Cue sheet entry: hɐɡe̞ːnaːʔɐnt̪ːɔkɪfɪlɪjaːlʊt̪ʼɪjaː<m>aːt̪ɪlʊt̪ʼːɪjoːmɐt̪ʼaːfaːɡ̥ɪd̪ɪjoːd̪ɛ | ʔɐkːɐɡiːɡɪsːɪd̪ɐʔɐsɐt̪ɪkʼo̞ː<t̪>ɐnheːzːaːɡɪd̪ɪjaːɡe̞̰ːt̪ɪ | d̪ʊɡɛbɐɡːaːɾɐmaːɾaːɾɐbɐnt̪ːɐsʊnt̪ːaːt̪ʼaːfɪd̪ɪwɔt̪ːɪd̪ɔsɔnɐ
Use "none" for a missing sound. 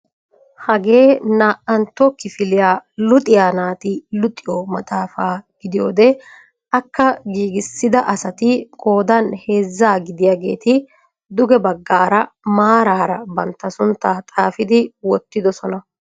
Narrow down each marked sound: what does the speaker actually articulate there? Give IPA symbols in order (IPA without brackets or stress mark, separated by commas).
n, d̪